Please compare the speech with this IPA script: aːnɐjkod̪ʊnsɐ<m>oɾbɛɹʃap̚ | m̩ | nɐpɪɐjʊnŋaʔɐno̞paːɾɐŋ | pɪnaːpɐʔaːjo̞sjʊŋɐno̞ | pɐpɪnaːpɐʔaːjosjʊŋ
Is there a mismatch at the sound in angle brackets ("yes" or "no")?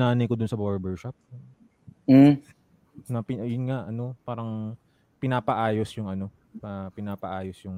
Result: yes